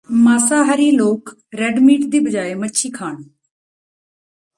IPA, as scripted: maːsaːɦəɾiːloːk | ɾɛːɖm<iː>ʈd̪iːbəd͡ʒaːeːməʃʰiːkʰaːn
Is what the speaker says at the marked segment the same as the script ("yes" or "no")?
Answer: yes